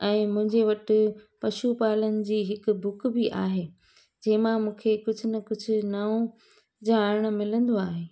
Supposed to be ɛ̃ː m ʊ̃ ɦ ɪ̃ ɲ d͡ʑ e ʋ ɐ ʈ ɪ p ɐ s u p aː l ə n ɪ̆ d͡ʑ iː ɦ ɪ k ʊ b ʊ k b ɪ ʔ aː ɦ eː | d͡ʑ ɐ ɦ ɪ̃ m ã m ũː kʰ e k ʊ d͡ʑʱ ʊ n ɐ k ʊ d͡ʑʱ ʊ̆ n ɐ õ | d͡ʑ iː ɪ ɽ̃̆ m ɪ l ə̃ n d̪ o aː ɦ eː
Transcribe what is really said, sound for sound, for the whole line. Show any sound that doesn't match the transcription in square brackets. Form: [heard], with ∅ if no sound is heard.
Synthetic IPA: ɛ̃ː m ʊ̃ ɦ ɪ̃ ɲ d͡ʑ e ʋ ɐ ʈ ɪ p ɐ [ʃ] u p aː l ə n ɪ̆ d͡ʑ iː ɦ ɪ k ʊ b ʊ k b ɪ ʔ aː ɦ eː | d͡ʑ ɐ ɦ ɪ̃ m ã m ũː kʰ e k ʊ d͡ʑʱ ʊ n ɐ k ʊ d͡ʑʱ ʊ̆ n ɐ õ | d͡ʑ [aː] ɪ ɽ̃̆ m ɪ l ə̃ n d̪ o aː ɦ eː